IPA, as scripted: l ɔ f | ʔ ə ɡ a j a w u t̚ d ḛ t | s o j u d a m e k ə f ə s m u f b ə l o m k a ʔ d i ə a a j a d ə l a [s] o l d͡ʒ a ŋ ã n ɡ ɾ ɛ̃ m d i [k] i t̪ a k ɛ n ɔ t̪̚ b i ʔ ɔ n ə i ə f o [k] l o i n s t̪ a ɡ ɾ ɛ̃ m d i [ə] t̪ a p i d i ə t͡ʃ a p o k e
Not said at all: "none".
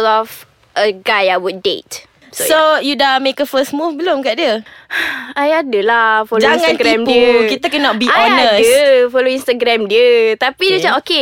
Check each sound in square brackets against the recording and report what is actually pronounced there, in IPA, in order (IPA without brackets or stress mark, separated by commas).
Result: f, k, none, ə